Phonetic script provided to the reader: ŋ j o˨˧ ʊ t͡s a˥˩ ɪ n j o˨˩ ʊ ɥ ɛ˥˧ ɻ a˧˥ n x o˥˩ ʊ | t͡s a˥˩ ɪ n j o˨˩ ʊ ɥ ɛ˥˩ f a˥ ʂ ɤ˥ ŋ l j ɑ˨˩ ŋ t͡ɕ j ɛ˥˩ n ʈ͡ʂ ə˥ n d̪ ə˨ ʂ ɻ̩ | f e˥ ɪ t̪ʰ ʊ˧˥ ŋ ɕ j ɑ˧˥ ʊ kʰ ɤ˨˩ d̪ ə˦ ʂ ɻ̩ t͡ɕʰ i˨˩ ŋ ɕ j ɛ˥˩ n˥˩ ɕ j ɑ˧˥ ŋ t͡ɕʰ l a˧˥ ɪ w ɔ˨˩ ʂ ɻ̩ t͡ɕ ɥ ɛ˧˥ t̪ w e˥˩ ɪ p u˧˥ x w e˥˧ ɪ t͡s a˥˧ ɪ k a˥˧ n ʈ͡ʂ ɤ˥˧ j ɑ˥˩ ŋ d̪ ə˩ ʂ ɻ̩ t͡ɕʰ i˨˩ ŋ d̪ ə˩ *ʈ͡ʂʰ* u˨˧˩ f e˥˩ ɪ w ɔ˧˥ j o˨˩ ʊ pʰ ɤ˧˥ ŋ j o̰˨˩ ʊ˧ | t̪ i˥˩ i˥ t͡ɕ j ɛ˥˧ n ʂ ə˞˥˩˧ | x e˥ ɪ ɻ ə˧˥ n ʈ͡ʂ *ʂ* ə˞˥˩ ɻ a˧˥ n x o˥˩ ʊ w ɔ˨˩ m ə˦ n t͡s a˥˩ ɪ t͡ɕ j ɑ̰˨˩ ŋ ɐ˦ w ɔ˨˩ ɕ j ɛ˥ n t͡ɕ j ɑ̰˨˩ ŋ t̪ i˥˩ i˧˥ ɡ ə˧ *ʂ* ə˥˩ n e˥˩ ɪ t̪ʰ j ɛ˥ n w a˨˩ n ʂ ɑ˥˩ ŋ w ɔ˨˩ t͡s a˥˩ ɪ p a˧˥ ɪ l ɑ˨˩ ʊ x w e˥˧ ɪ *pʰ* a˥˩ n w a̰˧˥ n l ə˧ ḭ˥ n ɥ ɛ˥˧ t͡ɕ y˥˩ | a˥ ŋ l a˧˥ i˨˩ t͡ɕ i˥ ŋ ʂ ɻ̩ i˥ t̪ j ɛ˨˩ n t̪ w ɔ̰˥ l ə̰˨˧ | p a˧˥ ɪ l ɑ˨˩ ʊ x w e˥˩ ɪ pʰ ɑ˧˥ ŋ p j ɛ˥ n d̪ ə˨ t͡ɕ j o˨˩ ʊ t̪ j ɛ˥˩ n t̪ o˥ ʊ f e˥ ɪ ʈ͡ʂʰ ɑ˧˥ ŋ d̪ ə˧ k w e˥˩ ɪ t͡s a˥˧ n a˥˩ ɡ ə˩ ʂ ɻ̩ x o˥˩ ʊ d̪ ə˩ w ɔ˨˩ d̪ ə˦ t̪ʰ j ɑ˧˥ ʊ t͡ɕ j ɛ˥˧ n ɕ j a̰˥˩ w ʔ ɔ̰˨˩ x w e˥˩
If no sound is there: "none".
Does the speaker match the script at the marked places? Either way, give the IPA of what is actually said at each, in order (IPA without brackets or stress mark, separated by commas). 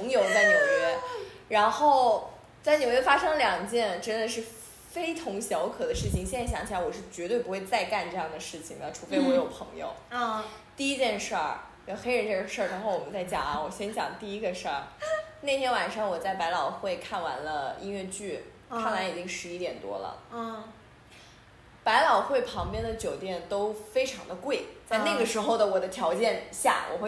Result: ʈ͡ʂʰ, ʂ, ʂ, kʰ